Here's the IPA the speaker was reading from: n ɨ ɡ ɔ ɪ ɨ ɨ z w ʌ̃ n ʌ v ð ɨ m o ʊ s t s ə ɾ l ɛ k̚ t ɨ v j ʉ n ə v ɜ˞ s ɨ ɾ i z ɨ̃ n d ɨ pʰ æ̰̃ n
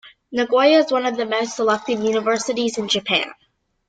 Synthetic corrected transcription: n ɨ ɡ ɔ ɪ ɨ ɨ z w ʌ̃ n ʌ v ð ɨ m o ʊ s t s ə l ɛ k̚ t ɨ v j ʉ n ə v ɜ˞ s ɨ ɾ i z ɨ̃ n d͡ʒ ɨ pʰ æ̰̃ n